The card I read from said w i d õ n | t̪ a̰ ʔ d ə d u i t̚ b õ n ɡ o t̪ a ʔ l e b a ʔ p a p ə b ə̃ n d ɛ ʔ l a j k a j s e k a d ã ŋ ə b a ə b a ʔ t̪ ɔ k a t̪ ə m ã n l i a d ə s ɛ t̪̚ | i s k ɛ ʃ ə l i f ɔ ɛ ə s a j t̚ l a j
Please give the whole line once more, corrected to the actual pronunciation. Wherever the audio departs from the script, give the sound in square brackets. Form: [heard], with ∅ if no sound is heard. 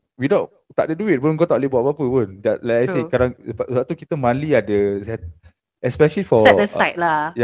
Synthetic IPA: w i d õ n | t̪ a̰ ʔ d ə d u i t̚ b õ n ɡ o t̪ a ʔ l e b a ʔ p a p ə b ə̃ n d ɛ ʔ l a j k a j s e k a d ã ŋ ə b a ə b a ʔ t̪ [u] k [i] t̪ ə m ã n l i a d ə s ɛ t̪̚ | [ɛ] s [p] ɛ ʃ ə l i f ɔ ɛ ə s a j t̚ l a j